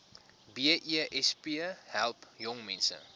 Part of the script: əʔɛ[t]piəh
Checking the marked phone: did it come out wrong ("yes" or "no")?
yes